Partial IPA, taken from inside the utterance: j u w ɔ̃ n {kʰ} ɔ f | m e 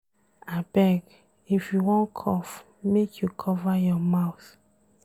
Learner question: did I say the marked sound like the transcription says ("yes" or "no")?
yes